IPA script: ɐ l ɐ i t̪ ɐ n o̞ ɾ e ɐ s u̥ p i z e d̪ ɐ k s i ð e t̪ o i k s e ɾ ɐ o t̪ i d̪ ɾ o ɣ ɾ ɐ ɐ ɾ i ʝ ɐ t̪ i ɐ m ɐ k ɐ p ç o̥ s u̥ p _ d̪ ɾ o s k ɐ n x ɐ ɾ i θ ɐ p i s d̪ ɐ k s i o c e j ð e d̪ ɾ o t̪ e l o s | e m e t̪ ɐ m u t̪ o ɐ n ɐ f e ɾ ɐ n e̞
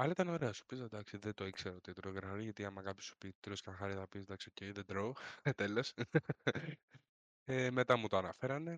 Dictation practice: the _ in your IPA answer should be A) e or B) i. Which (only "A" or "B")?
B